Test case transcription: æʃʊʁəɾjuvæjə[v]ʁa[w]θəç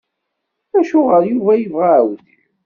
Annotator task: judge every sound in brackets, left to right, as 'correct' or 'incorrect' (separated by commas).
correct, correct